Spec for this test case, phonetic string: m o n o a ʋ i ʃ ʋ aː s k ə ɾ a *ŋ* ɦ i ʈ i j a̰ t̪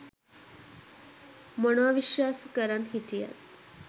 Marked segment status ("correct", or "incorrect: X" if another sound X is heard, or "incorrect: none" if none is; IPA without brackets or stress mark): incorrect: n